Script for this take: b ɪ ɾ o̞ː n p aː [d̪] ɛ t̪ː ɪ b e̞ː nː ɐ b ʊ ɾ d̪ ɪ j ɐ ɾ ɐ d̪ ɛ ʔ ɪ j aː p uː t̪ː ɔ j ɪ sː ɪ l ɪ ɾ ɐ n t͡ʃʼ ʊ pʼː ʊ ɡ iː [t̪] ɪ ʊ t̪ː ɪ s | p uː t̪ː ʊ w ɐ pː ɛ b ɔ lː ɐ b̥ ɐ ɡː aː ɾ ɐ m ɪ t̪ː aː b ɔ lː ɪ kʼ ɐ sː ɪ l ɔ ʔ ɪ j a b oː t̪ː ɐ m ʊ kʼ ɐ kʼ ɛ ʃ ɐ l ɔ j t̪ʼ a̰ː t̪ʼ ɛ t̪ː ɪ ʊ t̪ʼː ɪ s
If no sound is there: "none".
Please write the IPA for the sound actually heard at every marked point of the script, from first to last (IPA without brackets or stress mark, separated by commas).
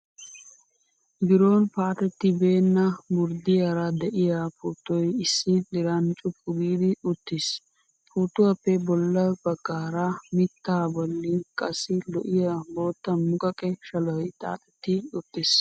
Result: t̪, d̪